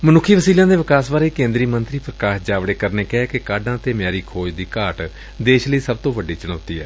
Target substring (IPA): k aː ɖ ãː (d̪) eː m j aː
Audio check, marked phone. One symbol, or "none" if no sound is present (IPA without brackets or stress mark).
t̪